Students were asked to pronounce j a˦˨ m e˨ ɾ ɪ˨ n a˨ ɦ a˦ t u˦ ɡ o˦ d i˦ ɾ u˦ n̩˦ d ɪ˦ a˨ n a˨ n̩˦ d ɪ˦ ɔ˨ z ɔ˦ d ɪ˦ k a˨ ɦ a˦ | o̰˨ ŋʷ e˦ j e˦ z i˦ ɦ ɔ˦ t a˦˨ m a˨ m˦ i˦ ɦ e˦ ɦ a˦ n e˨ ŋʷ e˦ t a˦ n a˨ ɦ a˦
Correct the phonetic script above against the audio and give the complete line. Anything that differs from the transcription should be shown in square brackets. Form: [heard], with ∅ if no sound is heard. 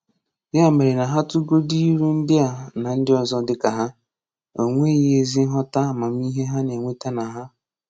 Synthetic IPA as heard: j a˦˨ m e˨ ɾ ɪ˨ n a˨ ɦ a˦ t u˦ ɡ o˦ d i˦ ɾ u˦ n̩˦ d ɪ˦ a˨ n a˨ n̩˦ d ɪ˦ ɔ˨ z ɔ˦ d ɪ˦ k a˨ ɦ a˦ | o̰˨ ŋʷ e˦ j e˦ z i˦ ɦ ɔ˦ t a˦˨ m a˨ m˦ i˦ ɦ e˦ ɦ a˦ n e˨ ŋʷ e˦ t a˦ n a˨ ɦ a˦